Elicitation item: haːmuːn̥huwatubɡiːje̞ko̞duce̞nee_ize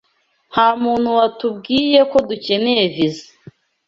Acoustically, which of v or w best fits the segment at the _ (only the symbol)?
v